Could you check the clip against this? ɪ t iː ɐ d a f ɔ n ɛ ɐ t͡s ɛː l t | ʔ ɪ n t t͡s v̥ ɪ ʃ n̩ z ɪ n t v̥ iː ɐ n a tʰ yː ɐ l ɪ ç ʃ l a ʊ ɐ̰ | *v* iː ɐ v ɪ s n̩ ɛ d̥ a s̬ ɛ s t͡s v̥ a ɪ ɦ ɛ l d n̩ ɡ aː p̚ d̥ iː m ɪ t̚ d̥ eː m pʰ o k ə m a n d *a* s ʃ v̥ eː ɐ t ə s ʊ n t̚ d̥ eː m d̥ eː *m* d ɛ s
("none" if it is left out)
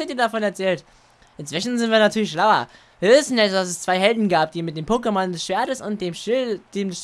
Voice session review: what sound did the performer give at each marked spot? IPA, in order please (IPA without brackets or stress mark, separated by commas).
v, ɛ, m